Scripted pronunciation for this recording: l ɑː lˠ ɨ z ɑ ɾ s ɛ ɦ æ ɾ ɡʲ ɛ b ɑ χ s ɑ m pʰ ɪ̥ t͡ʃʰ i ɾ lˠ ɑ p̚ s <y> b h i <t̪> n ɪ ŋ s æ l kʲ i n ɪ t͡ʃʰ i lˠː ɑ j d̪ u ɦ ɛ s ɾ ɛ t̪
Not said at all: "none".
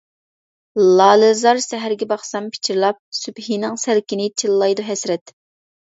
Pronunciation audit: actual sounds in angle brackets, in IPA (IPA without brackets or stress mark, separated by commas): y, none